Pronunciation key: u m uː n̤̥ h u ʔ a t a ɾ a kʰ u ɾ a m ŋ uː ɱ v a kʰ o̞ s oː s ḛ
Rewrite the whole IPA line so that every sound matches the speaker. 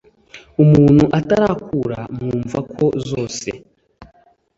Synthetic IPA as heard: u m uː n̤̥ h u ʔ a t a ɾ a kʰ u ɾ a m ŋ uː ɱ v a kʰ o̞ z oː s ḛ